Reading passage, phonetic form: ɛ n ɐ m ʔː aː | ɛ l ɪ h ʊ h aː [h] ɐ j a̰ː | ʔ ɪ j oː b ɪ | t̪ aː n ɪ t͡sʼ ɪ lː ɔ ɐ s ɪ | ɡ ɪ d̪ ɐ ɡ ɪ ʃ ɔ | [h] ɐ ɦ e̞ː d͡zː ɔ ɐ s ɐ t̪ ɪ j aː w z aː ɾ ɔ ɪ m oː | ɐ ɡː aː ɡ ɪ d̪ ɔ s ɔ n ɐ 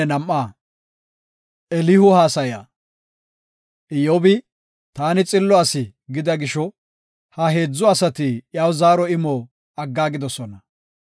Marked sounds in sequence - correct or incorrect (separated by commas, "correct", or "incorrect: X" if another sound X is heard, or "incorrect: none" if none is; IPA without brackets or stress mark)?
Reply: incorrect: s, correct